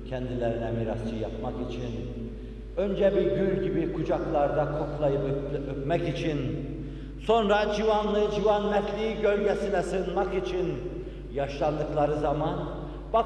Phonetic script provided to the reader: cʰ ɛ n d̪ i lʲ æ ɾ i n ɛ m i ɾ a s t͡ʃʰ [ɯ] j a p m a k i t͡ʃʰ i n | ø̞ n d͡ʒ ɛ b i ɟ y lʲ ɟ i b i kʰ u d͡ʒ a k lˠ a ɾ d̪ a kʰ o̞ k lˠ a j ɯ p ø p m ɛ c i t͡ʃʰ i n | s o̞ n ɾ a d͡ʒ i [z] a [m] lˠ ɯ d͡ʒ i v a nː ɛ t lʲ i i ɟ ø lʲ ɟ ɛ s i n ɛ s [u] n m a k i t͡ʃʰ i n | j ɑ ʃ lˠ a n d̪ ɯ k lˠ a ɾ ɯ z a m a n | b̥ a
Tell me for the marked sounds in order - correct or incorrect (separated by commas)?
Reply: correct, incorrect, incorrect, incorrect